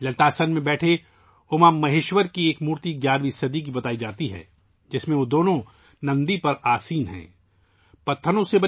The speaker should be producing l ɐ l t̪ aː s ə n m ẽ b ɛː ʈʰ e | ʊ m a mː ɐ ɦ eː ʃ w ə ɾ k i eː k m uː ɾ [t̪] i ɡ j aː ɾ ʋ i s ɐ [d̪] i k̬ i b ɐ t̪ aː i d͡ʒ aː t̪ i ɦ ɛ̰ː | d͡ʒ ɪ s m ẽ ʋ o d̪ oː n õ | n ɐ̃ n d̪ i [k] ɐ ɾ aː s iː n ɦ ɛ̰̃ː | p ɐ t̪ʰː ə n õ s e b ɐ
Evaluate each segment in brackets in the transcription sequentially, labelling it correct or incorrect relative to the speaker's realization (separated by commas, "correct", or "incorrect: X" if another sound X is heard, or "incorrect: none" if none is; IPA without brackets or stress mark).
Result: correct, correct, incorrect: p